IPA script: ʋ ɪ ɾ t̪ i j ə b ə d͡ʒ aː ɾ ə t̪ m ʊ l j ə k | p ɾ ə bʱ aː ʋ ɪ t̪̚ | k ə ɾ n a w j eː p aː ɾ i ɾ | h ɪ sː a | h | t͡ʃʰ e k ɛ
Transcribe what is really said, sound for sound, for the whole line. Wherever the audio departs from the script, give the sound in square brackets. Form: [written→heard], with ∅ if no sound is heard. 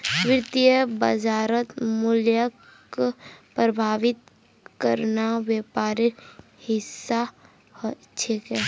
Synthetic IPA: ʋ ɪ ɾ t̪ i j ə b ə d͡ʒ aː ɾ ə t̪ m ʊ l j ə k | p ɾ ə bʱ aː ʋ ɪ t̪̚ | k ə ɾ n a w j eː p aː ɾ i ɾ | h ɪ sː a | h | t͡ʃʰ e k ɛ